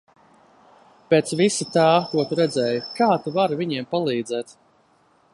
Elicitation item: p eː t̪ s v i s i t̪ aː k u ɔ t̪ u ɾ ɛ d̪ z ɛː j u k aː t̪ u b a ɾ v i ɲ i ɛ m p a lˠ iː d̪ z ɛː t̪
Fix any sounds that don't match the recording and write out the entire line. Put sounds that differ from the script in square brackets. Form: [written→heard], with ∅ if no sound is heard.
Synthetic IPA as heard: p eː t̪ s v i s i t̪ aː k u ɔ t̪ u ɾ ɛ d̪ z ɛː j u k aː t̪ u [b→v] a ɾ v i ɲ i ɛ m p a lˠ iː d̪ z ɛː t̪